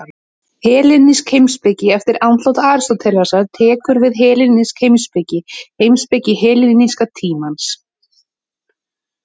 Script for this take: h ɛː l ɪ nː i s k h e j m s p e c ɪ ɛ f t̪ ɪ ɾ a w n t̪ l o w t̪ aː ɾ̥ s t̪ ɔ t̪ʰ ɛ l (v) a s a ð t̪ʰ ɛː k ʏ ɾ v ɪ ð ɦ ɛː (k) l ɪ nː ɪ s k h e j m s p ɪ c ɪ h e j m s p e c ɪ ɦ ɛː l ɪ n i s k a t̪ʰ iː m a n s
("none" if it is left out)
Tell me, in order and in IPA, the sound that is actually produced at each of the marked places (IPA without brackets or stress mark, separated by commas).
v, none